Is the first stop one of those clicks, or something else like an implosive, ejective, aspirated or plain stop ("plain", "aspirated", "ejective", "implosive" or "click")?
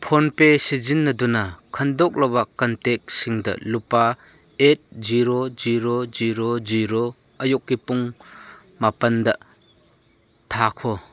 aspirated